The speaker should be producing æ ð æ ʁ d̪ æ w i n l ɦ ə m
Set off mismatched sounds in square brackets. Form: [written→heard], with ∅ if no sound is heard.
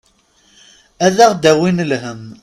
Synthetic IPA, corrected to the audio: æ ð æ ʁ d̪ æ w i n l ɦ ə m